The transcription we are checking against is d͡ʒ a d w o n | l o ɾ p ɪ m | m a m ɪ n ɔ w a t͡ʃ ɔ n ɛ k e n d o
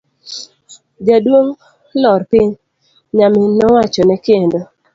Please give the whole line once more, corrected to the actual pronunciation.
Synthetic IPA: d͡ʒ a d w o ŋ | l ɔ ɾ p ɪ ɲ | ɲ a m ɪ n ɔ w a t͡ʃ ɔ n ɛ k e n d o